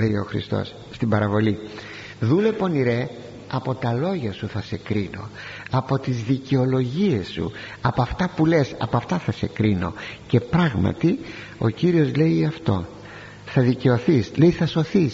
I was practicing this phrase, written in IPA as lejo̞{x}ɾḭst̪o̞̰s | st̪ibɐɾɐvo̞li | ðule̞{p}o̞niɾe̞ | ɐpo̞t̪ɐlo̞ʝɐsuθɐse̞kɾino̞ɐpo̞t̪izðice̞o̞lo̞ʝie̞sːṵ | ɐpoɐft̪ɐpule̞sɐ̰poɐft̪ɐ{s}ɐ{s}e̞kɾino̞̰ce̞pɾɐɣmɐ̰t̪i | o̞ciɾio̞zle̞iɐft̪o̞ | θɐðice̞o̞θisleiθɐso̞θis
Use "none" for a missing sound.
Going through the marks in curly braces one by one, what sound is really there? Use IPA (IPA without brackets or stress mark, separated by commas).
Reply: x, p, θ, s